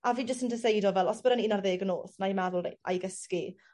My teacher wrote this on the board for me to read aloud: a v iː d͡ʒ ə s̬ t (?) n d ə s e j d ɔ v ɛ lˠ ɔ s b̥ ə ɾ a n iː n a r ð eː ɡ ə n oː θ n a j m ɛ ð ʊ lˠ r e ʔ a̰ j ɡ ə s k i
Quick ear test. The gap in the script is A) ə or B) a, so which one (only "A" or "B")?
A